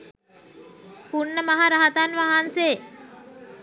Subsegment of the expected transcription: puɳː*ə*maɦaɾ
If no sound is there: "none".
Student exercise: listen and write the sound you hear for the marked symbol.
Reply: ə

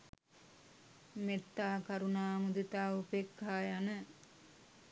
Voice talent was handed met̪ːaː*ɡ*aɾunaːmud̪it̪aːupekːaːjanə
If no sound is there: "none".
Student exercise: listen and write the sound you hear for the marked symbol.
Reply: k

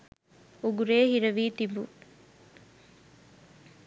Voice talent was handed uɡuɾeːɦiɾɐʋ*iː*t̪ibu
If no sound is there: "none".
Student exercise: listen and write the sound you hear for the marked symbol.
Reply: iː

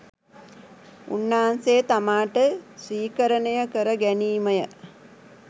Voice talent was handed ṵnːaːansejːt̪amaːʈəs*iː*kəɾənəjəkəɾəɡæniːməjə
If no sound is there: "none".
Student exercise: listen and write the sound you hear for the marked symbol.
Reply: iː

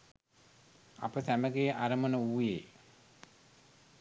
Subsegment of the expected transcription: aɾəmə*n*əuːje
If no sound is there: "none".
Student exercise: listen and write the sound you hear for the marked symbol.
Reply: n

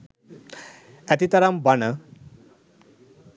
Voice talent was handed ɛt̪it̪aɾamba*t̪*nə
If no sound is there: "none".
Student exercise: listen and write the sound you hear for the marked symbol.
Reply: none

